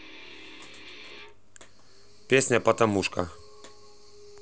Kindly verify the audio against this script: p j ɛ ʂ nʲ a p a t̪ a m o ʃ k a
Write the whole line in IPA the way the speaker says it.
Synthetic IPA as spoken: p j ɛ s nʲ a p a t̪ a m u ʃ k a